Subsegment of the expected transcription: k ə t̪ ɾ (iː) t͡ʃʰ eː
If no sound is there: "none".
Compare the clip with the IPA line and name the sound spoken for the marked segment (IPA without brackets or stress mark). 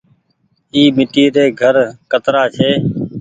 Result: aː